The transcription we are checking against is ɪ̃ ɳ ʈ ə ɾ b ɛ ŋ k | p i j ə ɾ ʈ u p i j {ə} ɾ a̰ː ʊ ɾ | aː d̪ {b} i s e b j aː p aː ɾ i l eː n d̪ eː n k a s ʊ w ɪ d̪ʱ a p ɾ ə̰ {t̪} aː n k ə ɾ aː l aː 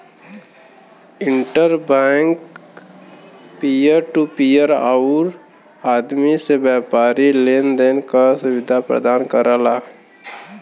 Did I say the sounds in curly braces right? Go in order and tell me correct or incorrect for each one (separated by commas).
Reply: correct, incorrect, incorrect